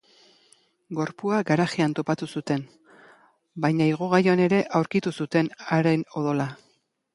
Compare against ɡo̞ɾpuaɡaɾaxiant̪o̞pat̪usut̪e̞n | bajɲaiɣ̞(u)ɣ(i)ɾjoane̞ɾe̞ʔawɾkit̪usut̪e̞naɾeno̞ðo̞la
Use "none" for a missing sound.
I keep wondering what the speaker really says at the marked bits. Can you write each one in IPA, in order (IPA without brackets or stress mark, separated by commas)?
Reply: o, a